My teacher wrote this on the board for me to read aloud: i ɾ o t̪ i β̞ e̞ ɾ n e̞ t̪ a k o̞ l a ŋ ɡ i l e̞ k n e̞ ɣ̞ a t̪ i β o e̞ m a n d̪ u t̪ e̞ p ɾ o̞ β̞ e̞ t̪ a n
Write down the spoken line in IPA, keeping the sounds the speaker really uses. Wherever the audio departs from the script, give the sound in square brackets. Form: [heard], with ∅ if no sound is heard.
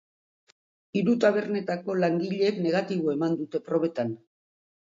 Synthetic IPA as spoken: i ɾ [u] t̪ [a] β̞ e̞ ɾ n e̞ t̪ a k o̞ l a ŋ ɡ i [ʎ] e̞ k n e̞ ɣ̞ a t̪ i β o e̞ m a n d̪ u t̪ e̞ p ɾ o̞ β̞ e̞ t̪ a n